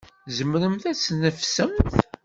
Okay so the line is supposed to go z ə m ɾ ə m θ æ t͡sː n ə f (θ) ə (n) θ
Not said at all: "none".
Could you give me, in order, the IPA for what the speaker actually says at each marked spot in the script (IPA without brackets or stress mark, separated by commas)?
s, m